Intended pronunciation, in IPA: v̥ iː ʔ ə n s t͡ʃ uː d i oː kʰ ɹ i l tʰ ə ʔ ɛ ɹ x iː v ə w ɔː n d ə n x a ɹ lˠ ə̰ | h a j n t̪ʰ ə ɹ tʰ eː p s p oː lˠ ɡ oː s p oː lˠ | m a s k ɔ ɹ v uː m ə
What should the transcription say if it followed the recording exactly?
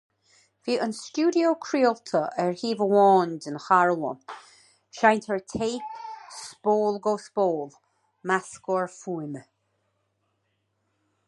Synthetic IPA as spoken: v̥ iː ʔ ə n s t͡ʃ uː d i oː kʰ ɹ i l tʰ ə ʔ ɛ ɹ h iː v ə w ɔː n d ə n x a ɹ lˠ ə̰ | ʃ a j n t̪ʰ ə ɹ tʰ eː p s p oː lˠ ɡ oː s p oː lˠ | m a s k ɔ ɹ f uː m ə